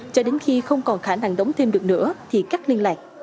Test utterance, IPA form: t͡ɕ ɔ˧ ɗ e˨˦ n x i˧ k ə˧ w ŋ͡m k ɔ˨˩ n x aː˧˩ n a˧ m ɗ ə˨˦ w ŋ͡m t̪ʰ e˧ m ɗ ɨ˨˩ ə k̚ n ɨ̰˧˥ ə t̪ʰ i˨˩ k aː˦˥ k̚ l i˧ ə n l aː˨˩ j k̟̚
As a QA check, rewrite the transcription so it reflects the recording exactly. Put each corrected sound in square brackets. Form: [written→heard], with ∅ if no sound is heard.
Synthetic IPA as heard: t͡ɕ ɔ˧ ɗ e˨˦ n x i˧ [k→x] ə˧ w ŋ͡m k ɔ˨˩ n x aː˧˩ n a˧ [m→ŋ] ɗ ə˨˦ w ŋ͡m t̪ʰ e˧ m ɗ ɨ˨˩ ə k̚ n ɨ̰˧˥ ə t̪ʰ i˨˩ k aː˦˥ k̚ l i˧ ə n l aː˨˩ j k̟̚